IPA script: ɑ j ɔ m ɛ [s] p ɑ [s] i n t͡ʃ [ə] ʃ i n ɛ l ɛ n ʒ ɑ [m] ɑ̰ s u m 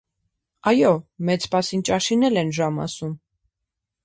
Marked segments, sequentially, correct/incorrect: incorrect, correct, incorrect, correct

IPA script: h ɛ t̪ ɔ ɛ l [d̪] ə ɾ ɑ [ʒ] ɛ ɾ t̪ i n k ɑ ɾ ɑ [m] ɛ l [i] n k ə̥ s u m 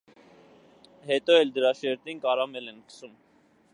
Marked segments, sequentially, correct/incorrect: correct, incorrect, correct, incorrect

